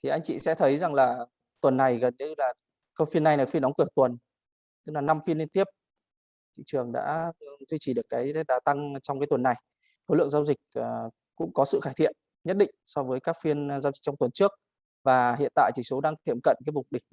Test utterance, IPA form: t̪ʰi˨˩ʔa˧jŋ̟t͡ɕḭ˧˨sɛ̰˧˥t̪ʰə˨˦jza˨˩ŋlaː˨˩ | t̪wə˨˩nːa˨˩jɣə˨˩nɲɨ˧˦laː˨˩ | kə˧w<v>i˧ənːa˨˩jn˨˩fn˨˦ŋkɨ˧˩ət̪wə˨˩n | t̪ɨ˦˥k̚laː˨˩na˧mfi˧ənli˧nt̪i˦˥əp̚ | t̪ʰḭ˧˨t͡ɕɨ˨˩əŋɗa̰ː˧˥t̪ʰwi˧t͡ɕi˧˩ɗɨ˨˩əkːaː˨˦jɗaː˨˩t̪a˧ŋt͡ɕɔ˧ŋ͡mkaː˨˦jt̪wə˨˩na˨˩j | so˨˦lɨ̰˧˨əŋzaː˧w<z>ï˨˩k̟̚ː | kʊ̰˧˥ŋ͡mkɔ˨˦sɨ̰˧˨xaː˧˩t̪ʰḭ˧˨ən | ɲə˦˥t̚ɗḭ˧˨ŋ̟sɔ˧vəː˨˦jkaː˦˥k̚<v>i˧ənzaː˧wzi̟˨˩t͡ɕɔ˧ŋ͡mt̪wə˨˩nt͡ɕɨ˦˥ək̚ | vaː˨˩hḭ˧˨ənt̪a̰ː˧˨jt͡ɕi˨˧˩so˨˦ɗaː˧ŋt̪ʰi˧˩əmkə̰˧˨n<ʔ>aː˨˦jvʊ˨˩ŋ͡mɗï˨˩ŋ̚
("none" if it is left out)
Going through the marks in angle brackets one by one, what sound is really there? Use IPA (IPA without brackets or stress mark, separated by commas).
f, z, f, k